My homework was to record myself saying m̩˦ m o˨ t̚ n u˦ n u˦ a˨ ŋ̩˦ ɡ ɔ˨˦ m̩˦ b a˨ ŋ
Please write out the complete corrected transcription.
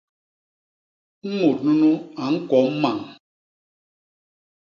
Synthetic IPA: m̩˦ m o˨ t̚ n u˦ n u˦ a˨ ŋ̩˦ k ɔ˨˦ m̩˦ m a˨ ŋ